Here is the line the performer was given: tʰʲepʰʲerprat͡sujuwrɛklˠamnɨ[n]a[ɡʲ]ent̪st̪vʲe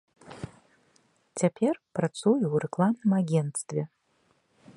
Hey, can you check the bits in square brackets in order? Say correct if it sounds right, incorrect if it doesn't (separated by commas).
incorrect, correct